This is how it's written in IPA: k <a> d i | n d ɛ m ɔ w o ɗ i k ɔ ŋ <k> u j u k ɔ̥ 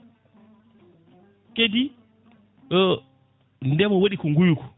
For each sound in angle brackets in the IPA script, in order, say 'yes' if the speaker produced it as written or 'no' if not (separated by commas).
no, no